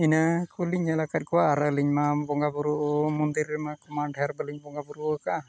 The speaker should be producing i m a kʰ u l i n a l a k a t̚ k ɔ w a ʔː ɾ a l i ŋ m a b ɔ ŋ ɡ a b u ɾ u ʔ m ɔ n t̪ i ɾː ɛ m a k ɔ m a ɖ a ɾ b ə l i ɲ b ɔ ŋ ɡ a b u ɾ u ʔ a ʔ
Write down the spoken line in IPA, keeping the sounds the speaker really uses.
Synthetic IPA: i n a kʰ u l i ɲ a l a k a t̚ k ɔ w a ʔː ɾ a l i ɲ m a b ɔ ŋ ɡ a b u ɾ u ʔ m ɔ n d̪ i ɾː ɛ m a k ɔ m a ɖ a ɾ b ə l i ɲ b ɔ ŋ ɡ a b u ɾ u k a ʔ